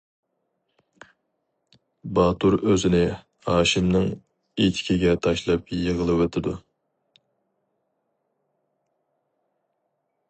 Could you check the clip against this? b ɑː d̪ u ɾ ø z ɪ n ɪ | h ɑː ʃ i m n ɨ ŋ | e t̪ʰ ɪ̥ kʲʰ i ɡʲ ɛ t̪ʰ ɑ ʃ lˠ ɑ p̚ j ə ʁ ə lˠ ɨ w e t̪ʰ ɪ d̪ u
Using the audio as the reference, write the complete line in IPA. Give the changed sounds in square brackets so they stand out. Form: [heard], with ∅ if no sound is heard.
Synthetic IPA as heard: b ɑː [t̪] u ɾ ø z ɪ n ɪ | h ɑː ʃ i m n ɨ ŋ | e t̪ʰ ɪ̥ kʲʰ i ɡʲ ɛ t̪ʰ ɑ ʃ lˠ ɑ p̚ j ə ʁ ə lˠ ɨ w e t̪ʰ ɪ d̪ u